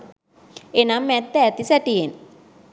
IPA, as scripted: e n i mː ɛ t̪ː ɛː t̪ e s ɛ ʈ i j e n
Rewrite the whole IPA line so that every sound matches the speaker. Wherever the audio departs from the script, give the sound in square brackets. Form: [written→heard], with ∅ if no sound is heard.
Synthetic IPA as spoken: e n [i→a] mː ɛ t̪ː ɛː t̪ [e→i] s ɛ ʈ i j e n